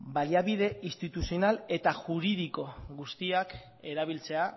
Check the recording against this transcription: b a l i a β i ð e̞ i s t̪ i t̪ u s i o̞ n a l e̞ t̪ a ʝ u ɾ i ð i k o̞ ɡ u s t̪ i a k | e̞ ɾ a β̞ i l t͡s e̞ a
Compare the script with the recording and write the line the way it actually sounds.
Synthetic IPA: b a l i a β i ð e̞ i s t̪ i t̪ u s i o̞ n a l e̞ t̪ a ʝ u ɾ i ð i k o̞ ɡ u s t̪ i a k | e̞ ɾ a β̞ i l t͡s e̞ a